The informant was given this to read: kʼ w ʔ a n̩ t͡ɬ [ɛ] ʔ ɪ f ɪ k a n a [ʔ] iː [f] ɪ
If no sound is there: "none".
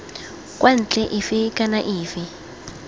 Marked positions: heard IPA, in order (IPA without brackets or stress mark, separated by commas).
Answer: ɛ, ʔ, f